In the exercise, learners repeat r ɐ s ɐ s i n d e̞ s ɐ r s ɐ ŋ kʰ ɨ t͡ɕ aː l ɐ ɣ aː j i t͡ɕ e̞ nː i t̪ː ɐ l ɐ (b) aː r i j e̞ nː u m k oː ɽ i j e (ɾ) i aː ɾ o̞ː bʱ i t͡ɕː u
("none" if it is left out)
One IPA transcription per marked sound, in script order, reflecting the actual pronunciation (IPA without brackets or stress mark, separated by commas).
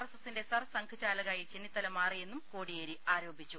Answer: m, ɾ